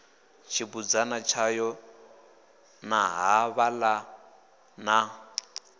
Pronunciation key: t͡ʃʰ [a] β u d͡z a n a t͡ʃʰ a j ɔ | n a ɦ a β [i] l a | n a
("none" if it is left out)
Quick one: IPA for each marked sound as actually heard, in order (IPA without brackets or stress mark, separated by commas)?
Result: i, a